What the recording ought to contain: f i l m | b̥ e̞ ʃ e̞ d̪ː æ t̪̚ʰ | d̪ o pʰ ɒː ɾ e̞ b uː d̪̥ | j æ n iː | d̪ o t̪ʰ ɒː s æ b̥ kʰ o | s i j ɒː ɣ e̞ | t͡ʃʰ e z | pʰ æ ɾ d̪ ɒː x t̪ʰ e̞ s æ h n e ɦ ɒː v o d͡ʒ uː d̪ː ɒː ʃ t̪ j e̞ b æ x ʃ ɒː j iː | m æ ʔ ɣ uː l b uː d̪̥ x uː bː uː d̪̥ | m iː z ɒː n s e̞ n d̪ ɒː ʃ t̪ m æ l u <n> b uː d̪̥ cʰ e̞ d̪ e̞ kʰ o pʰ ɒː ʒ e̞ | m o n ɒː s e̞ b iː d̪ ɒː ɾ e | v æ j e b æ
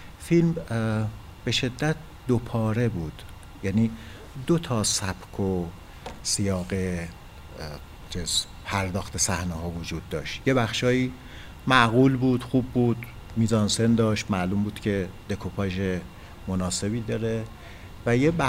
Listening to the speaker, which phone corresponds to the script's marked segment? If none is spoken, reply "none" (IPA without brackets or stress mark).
m